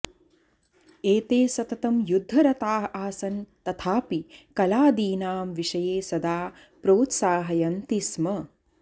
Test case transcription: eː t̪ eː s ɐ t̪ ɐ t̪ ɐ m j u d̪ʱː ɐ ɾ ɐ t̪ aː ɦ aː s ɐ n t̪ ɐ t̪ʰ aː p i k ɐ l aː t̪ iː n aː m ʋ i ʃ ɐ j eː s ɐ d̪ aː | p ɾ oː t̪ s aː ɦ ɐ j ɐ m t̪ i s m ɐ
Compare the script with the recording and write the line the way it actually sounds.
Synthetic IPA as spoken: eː t̪ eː s ɐ t̪ ɐ t̪ ɐ m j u d̪ʱː ɐ ɾ ɐ t̪ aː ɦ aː s ɐ n t̪ ɐ t̪ʰ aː p i k ɐ l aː d̪ iː n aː m ʋ i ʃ ɐ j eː s ɐ d̪ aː | p ɾ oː t̪ s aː ɦ ɐ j ɐ n t̪ i s m ɐ